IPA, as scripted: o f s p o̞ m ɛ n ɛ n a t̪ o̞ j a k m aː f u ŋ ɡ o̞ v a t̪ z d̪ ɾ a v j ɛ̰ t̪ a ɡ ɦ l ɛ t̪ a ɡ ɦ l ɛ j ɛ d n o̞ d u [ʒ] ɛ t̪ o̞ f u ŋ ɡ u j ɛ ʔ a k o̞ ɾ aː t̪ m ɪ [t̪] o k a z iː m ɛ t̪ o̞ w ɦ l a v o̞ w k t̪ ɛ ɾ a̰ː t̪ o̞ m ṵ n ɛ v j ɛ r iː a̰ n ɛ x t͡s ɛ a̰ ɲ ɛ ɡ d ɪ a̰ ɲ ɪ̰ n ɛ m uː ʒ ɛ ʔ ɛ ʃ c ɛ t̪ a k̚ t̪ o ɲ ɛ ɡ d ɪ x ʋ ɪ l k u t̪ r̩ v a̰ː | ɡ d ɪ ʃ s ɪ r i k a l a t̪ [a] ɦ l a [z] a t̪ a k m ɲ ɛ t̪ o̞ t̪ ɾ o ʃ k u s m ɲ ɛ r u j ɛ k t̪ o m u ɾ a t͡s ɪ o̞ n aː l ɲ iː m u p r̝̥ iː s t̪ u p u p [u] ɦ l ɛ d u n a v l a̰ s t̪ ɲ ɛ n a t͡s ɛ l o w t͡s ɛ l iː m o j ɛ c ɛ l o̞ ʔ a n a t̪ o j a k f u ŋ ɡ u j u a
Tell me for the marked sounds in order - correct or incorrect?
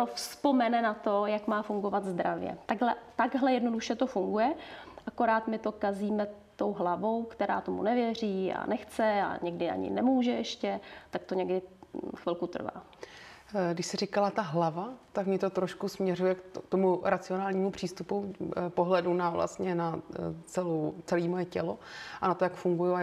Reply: incorrect, correct, correct, incorrect, incorrect

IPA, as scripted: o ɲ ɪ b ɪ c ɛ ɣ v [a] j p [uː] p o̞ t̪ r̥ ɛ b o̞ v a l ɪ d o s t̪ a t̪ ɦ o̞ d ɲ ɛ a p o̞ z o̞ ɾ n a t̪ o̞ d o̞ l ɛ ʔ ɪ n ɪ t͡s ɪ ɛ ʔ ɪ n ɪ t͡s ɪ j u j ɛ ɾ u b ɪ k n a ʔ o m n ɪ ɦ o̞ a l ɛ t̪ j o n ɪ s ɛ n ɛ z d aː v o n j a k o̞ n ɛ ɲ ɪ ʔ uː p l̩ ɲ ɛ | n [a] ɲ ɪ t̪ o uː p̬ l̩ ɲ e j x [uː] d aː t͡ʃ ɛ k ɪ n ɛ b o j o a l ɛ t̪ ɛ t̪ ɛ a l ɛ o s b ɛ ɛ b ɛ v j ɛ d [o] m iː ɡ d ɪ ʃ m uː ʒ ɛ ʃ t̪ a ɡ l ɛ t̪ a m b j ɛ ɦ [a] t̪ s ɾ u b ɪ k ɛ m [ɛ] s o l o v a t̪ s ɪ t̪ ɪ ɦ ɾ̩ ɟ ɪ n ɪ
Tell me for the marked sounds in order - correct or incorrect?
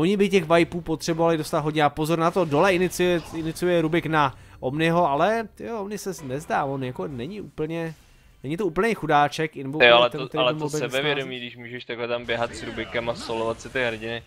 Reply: correct, correct, incorrect, incorrect, correct, correct, incorrect

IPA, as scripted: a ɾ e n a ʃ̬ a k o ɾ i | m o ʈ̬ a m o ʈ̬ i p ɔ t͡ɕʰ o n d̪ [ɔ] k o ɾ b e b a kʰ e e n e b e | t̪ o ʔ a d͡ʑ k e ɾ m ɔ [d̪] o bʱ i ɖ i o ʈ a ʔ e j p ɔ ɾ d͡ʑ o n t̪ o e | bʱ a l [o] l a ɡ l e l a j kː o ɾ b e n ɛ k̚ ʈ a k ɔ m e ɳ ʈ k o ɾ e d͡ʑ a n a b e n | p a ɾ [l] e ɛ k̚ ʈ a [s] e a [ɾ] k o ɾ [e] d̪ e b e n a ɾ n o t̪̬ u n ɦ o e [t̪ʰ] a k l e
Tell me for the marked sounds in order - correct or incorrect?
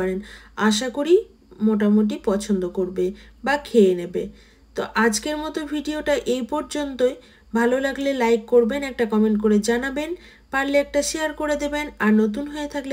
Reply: incorrect, incorrect, correct, correct, incorrect, correct, correct, correct

